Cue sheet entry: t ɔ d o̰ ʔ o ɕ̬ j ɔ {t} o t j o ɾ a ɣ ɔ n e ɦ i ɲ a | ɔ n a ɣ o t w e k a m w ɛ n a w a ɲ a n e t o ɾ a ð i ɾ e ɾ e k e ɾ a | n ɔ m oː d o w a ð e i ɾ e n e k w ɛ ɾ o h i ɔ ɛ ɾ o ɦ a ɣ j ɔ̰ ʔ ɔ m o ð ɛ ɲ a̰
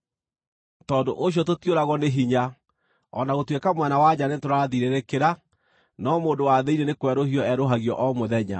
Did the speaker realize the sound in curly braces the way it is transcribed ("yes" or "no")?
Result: yes